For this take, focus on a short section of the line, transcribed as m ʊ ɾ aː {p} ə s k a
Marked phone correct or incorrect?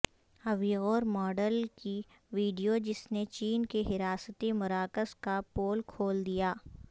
incorrect